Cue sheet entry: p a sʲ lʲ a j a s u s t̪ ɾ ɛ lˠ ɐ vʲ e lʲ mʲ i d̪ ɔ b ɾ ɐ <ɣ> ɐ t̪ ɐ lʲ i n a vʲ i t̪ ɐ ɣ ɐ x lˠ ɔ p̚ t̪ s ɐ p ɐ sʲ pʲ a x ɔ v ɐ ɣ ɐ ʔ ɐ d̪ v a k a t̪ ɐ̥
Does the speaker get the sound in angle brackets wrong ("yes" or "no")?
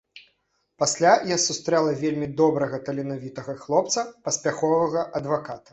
no